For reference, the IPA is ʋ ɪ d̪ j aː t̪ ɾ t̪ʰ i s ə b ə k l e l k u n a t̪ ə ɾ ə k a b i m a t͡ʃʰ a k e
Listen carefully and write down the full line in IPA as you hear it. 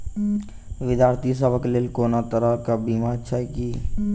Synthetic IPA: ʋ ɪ d̪ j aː ɾ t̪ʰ i s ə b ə k l e l k o n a t̪ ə ɾ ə k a b i m a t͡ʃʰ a k i